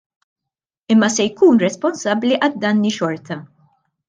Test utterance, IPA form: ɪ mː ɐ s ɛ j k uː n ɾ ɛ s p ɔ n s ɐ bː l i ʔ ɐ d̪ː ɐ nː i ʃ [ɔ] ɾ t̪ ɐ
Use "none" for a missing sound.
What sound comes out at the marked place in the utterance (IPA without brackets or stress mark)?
ɔ